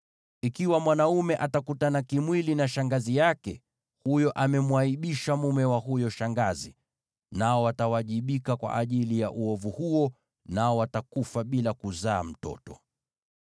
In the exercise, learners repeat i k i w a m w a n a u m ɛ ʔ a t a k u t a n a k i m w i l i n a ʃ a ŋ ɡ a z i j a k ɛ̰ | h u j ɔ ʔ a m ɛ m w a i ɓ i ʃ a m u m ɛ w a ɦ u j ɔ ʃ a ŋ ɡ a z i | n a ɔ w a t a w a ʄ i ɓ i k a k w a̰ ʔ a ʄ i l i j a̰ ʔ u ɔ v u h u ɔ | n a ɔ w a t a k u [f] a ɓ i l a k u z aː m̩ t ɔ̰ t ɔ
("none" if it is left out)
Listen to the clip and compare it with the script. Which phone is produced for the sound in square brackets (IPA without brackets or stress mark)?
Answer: f